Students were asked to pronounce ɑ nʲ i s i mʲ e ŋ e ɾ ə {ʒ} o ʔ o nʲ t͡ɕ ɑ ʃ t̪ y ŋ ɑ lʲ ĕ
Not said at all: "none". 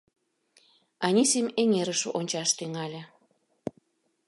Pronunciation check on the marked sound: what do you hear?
ʃ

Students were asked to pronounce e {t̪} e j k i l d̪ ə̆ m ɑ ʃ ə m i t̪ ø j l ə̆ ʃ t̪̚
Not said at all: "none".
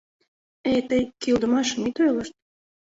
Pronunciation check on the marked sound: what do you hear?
t̪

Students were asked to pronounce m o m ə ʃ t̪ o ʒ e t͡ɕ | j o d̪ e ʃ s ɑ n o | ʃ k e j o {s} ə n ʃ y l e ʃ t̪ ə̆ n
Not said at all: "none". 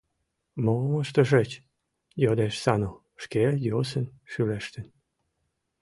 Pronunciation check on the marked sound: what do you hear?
s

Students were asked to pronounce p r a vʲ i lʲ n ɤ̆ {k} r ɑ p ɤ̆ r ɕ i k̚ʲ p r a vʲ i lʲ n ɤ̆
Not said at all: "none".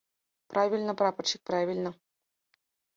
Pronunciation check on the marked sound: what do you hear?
p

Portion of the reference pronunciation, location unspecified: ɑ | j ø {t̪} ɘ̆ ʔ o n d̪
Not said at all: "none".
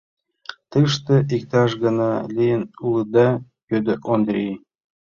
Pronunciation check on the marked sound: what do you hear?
d̪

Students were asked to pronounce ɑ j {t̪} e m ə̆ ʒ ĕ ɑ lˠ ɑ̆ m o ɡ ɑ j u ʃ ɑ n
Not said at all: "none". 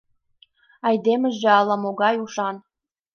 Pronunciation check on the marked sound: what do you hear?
d̪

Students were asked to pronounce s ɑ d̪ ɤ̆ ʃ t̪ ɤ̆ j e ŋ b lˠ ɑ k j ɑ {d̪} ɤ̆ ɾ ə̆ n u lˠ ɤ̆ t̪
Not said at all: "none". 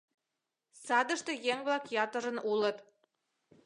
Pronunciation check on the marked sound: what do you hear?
t̪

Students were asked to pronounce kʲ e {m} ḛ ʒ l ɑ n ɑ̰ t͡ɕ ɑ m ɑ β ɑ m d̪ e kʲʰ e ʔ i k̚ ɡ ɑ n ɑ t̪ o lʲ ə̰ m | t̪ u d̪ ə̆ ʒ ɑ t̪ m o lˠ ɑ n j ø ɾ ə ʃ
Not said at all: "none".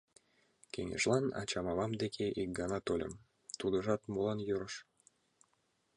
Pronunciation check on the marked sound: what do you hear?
ŋ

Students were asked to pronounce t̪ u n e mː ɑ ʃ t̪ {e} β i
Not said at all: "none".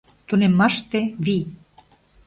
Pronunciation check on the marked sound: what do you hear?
e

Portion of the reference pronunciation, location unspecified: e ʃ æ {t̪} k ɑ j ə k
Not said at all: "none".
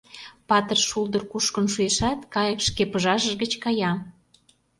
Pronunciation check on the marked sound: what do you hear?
t̪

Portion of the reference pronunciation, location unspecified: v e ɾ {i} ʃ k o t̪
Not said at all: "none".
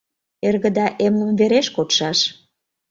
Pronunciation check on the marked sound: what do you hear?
e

